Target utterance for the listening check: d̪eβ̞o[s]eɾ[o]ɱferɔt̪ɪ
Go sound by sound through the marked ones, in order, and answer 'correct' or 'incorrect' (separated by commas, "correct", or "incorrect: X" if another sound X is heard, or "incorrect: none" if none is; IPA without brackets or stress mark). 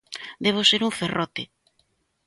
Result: correct, incorrect: u